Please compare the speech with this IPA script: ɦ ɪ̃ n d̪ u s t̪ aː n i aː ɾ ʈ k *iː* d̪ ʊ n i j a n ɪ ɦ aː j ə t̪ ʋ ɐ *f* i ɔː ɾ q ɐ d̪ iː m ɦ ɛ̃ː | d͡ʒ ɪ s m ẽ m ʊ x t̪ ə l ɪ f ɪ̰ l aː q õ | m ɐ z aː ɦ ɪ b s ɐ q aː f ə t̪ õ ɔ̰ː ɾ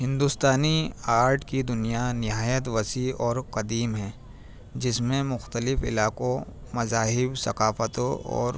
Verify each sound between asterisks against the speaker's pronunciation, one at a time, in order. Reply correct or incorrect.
incorrect: i, incorrect: s

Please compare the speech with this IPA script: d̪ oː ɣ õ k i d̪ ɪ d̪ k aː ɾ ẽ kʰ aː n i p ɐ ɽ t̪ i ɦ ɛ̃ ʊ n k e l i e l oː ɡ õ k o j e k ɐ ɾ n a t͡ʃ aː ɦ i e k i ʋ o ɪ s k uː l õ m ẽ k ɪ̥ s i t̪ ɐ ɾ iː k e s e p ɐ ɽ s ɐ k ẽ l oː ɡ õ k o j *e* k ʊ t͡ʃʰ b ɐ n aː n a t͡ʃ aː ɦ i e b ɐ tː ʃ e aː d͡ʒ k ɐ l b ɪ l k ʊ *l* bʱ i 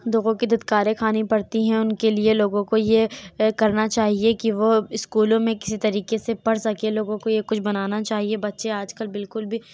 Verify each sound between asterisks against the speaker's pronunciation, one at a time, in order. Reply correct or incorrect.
correct, correct

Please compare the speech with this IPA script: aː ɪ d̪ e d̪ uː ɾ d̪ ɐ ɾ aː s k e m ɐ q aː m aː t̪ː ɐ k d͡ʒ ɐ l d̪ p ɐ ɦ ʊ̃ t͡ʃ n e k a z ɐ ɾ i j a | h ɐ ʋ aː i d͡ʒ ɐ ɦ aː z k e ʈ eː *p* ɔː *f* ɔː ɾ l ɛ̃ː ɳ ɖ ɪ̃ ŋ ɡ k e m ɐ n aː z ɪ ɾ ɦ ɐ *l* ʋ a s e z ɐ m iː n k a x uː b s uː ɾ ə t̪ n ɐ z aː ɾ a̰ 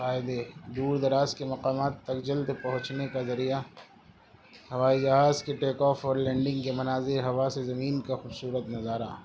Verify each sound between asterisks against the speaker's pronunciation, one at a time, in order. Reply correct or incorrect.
incorrect: k, correct, incorrect: none

